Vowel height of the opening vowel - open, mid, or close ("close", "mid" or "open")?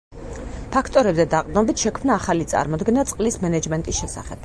open